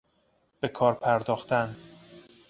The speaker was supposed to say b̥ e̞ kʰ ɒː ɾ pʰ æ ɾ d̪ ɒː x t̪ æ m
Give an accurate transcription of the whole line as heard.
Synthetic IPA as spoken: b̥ e̞ kʰ ɒː ɾ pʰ æ ɾ d̪ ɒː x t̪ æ n

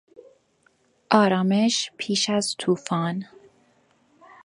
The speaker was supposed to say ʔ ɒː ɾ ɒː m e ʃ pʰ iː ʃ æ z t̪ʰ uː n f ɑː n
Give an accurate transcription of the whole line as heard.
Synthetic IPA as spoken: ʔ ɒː ɾ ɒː m e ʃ pʰ iː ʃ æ z t̪ʰ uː f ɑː n

